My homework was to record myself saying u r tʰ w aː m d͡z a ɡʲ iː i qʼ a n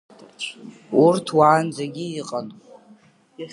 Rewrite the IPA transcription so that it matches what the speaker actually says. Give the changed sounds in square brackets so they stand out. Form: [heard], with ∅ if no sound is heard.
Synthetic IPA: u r tʰ w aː [n] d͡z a ɡʲ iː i qʼ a n